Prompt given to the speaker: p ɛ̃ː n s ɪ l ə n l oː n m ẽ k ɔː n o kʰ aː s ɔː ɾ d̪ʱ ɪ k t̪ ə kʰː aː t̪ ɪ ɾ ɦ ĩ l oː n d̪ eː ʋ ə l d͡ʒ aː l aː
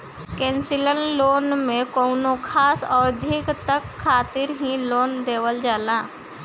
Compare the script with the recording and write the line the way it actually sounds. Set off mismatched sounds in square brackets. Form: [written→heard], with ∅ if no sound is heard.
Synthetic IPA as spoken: [p→k] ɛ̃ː n s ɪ l ə n l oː n m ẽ k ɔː n o kʰ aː s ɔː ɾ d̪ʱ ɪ k t̪ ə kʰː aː t̪ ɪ ɾ ɦ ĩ l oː n d̪ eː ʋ ə l d͡ʒ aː l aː